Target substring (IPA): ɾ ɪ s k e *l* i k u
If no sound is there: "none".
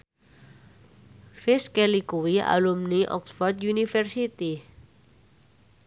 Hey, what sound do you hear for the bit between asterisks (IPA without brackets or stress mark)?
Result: l